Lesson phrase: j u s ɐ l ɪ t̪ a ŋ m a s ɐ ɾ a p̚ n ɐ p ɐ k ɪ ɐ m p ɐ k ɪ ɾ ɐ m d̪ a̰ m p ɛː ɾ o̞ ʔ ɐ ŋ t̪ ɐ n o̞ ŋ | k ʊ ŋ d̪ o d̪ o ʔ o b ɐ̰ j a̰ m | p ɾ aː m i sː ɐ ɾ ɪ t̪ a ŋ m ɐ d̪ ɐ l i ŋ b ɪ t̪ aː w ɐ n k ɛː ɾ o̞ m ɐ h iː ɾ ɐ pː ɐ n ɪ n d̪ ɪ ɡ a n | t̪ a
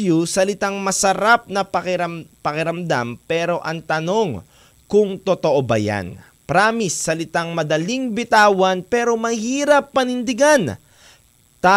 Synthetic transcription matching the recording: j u s ɐ l ɪ t̪ a ŋ m ɐ s ɐ ɾ a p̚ n ɐ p ɐ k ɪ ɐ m p ɐ k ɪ ɾ ɐ m d̪ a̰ m p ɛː ɾ o̞ ʔ ɐ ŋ t̪ ɐ n o̞ ŋ | k ʊ ŋ t̪ o t̪ o ʔ o b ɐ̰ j a̰ n | p ɾ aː m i sː ɐ l ɪ t̪ a ŋ m ɐ d̪ ɐ l i ŋ b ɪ t̪ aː w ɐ n p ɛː ɾ o̞ m ɐ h iː ɾ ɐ pː ɐ n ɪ n d̪ ɪ ɡ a n | t̪ a